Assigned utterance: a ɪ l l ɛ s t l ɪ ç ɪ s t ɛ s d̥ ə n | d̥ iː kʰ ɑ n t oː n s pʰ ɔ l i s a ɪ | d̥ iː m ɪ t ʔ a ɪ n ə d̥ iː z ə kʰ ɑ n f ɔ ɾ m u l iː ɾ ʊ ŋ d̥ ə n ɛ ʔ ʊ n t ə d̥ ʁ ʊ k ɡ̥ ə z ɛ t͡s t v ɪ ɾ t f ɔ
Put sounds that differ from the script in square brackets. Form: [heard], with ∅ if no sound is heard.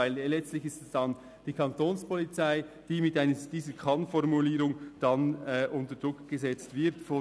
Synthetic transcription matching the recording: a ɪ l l ɛ [t͡s] t l ɪ ç ɪ s t ɛ s d̥ [ɑ] n | d̥ iː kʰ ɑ n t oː n s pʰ ɔ l i [t͡s] a ɪ | d̥ iː m ɪ t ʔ a ɪ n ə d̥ iː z ə kʰ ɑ n f ɔ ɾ m u l iː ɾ ʊ ŋ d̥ [ɑ] n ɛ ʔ ʊ n t ə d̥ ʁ ʊ k ɡ̥ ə z ɛ t͡s t v ɪ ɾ t f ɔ